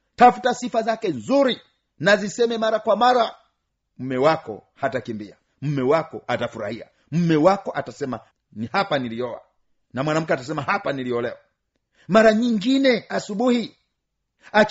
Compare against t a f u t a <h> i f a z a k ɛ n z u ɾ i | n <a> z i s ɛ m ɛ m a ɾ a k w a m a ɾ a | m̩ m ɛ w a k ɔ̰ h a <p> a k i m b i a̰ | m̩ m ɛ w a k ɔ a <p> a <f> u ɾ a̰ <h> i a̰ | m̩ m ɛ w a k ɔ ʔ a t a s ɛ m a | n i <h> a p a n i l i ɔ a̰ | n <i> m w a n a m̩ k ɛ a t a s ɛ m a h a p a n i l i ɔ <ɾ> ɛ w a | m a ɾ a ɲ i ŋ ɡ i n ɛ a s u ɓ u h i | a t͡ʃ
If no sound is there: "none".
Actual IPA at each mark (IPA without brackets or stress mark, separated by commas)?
s, a, t, t, f, h, h, a, l